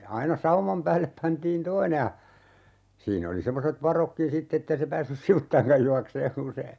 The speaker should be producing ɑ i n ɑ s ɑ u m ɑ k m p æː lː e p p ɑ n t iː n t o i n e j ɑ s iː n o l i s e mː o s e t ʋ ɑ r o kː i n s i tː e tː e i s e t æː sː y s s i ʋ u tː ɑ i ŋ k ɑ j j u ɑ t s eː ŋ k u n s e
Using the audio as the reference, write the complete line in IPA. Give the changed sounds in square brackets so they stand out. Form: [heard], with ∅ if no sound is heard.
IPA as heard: ɑ i n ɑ s ɑ u m ɑ [∅] m p æː lː e p p ɑ n t iː n t o i n e j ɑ s iː n o l i s e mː o s e t ʋ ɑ r o kː i n s i tː e tː e i s e [p] æː sː y s s i ʋ u tː ɑ i ŋ k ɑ j j u ɑ [k] s eː ŋ k u n s e